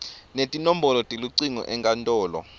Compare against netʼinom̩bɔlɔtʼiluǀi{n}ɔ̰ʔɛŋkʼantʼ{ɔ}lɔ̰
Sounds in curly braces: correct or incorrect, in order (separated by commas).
incorrect, incorrect